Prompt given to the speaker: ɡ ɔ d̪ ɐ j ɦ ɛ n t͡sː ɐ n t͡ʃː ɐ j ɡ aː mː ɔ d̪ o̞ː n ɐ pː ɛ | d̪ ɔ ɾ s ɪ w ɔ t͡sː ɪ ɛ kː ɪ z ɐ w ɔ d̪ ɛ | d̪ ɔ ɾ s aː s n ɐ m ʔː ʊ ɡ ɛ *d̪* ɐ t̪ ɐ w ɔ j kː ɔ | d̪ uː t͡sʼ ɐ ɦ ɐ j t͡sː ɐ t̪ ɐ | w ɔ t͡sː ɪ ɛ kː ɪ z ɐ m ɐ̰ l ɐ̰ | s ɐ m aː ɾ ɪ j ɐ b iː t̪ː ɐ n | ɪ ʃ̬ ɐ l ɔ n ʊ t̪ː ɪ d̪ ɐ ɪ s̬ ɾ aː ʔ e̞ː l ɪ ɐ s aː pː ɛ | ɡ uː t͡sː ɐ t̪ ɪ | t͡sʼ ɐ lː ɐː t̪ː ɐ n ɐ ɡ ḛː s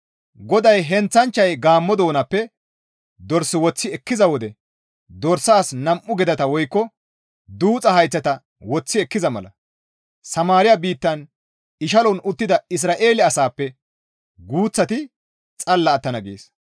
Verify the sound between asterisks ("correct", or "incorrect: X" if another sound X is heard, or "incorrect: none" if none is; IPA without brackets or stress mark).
correct